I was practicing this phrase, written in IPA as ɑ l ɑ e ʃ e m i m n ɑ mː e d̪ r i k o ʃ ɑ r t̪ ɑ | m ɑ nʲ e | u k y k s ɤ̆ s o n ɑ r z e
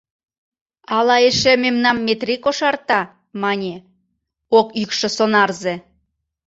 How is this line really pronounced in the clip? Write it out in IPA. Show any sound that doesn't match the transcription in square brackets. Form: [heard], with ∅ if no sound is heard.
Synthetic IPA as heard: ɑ l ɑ e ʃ e m [e] m n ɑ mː e [t̪] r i k o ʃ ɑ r t̪ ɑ | m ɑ nʲ e | [o] k y k [ʃ] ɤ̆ s o n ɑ r z e

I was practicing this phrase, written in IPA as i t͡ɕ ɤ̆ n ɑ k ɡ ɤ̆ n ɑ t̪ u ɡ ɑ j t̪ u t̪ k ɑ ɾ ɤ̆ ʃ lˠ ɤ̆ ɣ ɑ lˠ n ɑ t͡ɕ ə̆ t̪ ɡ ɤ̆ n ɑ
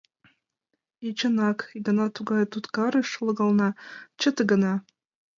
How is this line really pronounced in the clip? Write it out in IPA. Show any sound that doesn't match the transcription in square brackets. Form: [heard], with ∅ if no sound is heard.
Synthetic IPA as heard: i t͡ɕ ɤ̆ n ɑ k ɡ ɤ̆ n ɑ t̪ u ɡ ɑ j t̪ u t̪ k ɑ ɾ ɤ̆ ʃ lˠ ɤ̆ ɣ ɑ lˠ n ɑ t͡ɕ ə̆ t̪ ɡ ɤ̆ n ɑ

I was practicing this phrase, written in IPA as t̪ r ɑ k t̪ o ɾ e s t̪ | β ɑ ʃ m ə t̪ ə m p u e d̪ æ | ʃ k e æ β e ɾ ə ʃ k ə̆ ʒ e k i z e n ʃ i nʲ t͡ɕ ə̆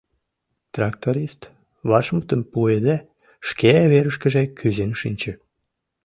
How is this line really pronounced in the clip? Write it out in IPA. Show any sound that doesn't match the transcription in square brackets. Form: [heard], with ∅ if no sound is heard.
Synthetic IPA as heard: t̪ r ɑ k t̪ o ɾ [i] s t̪ | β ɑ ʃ m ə t̪ ə m p u e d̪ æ | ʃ k e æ β e ɾ ə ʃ k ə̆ ʒ e k [y] z e n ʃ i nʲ t͡ɕ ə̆

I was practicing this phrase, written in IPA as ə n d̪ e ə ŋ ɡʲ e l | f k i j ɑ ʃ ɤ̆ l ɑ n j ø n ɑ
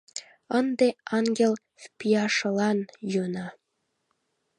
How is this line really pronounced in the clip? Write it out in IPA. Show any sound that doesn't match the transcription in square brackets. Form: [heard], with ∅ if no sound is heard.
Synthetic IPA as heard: ə n d̪ e [ɑ] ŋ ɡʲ e l | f [p] i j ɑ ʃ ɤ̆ l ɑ n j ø n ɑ

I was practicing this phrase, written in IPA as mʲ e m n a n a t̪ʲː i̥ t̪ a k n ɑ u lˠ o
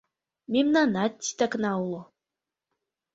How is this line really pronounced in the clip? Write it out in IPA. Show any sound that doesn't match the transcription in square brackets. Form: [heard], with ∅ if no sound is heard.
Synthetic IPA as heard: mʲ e m n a n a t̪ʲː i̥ t̪ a k n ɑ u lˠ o

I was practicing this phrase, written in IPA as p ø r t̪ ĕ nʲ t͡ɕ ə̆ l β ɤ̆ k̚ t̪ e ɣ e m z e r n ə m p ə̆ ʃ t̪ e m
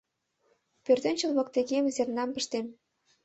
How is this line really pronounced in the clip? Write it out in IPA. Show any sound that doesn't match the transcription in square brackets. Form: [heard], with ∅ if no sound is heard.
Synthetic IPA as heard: p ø r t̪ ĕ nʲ t͡ɕ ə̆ l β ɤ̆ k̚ t̪ e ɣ e m z e r n [ɑ] m p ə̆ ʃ t̪ e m

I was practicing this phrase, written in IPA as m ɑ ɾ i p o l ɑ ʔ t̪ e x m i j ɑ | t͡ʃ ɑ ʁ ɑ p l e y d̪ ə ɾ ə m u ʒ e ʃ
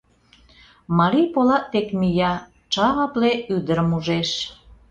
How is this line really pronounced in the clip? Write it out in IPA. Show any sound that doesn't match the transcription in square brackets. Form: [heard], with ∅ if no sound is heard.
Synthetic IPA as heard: m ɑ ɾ i p o l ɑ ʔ t̪ e [k] m i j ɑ | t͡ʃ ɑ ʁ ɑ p l e y d̪ ə ɾ ə m u ʒ e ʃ

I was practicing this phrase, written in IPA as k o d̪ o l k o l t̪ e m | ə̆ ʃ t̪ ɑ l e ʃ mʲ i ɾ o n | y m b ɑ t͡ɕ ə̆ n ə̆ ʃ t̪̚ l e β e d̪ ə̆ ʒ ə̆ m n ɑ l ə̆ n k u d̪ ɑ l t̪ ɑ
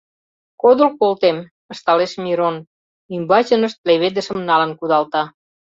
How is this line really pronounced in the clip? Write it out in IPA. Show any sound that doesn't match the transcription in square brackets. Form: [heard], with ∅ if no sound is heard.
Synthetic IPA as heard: k o d̪ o l k o l t̪ e m | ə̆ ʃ t̪ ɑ l e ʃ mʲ i ɾ o n | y m b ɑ t͡ɕ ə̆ n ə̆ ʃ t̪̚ l e β e d̪ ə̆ [ʃ] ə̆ m n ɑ l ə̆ n k u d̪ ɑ l t̪ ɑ

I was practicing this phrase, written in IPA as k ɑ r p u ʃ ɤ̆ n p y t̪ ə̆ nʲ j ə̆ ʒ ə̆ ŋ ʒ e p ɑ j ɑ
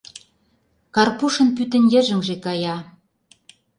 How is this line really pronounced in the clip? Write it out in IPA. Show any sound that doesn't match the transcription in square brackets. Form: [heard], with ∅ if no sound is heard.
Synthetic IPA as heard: k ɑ r p u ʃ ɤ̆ n p y t̪ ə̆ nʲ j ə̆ ʒ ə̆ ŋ ʒ e [k] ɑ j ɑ

